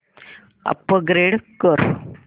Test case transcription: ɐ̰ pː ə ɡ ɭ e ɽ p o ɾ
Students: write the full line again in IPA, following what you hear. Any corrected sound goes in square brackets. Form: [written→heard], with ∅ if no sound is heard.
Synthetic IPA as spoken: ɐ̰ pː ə ɡ [ɭ→ɾ] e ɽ [p→k] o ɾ